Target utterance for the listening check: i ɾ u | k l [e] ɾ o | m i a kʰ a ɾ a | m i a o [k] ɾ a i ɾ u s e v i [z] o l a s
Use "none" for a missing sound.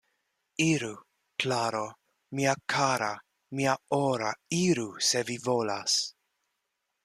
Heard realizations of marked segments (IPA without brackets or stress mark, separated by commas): a, none, v